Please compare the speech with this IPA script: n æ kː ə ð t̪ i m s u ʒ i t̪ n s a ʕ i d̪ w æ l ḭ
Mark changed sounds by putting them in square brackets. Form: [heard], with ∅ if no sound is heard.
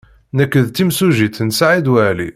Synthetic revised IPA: n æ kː ə ð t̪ i m s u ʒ i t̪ n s a ʕ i d̪ w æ l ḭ